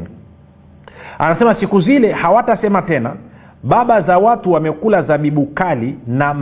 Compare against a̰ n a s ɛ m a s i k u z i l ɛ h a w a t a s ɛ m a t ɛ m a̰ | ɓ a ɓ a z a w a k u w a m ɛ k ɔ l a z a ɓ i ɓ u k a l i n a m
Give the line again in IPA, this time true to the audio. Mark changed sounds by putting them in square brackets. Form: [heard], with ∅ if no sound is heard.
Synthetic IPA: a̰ n a s ɛ m a s i k u z i l ɛ h a w a t a s ɛ m a t ɛ [n] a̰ | ɓ a ɓ a z a w a [t] u w a m ɛ k [u] l a z a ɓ i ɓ u k a l i n a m